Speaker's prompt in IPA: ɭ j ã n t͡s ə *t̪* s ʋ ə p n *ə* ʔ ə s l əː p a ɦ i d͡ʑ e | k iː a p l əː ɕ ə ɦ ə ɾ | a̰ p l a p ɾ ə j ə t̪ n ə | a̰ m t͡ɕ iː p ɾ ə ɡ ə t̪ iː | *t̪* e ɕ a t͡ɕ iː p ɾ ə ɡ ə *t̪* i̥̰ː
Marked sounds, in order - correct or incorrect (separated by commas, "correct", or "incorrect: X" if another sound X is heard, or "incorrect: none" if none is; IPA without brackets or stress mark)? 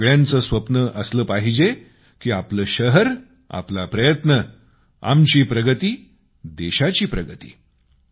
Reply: incorrect: none, correct, incorrect: d̪, correct